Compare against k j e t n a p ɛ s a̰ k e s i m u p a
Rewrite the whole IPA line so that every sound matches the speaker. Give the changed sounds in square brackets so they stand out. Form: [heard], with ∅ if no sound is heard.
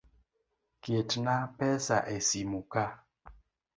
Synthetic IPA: k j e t n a p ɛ s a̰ [ʔ] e s i m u [k] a